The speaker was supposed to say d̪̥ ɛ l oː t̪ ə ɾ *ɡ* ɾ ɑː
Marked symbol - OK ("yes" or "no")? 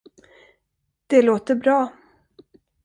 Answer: no